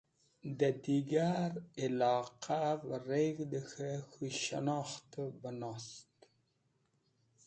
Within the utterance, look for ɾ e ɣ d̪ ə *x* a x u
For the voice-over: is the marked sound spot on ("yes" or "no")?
yes